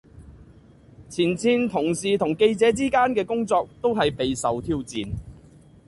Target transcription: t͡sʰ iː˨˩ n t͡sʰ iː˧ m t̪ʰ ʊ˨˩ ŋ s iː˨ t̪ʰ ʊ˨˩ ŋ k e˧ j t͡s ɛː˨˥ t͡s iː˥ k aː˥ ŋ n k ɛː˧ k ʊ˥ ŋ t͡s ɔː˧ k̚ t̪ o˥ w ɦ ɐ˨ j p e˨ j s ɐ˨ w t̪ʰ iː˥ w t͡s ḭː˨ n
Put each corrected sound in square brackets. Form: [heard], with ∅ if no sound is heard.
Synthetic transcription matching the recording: t͡sʰ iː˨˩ n t͡sʰ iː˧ [n] t̪ʰ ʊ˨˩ ŋ s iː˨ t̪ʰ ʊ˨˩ ŋ k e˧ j t͡s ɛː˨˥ t͡s iː˥ k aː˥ [∅] n k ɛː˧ k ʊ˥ ŋ t͡s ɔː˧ k̚ t̪ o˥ w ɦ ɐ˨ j p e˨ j s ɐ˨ w t̪ʰ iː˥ w t͡s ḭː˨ n